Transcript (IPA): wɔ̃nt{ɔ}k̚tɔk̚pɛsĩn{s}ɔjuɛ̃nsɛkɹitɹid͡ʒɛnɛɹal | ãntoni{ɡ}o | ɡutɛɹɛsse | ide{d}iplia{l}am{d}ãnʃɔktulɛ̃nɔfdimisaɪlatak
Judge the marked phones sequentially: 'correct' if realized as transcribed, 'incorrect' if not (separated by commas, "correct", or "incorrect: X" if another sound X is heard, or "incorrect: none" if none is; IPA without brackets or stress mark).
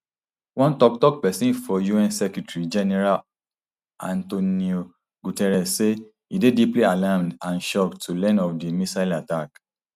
correct, incorrect: f, incorrect: none, correct, correct, correct